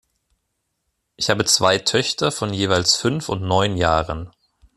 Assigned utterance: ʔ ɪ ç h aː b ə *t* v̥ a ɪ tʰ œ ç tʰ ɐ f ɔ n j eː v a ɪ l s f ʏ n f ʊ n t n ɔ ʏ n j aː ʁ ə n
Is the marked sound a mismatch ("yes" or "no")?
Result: yes